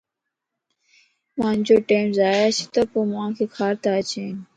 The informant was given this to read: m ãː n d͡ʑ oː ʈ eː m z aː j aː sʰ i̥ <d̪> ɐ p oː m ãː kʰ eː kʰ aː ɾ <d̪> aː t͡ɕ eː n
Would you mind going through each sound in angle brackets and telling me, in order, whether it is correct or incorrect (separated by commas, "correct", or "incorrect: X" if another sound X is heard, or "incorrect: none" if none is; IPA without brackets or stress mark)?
incorrect: t̪, incorrect: t̪